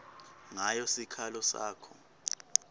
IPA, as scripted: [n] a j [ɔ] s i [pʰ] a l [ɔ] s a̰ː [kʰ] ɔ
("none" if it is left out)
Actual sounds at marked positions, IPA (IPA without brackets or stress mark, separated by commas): ŋ, ɔ, kʰ, ɔ, kʰ